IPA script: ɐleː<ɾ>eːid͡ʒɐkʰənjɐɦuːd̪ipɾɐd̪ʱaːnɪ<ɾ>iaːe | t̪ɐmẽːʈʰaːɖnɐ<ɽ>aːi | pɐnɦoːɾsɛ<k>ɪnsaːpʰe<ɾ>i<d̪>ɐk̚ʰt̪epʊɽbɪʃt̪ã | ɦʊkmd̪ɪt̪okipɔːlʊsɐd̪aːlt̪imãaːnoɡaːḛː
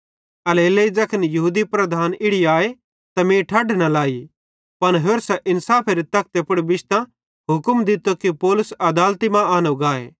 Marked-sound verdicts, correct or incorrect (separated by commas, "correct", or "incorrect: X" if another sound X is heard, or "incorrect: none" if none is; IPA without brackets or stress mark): incorrect: l, incorrect: ɽ, incorrect: l, incorrect: ʔ, correct, incorrect: t̪